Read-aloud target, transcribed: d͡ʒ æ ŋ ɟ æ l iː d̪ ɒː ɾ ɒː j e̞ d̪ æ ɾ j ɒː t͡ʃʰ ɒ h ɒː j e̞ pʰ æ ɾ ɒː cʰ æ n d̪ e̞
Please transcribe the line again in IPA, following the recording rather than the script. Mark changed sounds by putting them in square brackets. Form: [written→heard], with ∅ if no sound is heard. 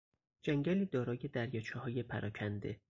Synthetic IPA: d͡ʒ æ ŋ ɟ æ l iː d̪ ɒː ɾ ɒː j e̞ d̪ æ ɾ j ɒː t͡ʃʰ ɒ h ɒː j e̞ pʰ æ ɾ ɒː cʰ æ n d̪ e̞